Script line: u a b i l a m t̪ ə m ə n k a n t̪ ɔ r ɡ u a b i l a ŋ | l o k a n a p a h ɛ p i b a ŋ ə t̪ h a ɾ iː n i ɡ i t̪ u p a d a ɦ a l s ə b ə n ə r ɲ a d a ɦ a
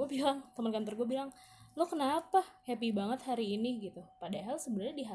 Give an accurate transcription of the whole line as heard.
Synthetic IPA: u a b i l a ŋ t̪ ə m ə n k a n t̪ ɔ r ɡ u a b i l a ŋ | l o k ə n a p a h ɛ p i b a ŋ ə t̪ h a ɾ iː n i ɡ i t̪ u p a d a ɦ a l s ə b ə n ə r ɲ a d i ɦ a